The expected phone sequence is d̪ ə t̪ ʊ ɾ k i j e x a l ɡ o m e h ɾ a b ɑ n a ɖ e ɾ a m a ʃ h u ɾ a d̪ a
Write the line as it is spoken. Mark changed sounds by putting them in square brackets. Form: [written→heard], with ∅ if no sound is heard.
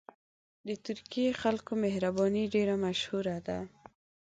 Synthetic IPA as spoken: d̪ ə t̪ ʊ ɾ k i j e x a l [ɡ→k] o m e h ɾ a b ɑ n [a→i] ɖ e ɾ a m a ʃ h u ɾ a d̪ a